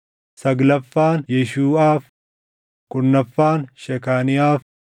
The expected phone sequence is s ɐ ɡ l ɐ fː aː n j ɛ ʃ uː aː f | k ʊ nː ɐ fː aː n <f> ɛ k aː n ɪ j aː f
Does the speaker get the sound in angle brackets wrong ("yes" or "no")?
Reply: yes